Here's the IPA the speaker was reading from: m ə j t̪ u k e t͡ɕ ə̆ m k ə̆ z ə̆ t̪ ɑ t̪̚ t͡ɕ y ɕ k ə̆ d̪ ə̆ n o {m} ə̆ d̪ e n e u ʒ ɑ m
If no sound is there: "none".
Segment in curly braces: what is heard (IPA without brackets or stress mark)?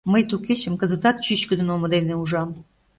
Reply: m